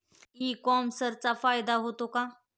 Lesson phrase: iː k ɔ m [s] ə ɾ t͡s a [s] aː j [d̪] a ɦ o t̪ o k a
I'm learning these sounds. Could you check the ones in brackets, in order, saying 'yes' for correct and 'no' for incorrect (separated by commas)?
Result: yes, no, yes